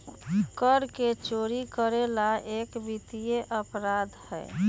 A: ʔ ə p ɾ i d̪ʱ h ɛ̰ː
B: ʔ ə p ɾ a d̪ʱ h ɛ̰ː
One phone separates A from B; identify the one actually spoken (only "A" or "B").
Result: B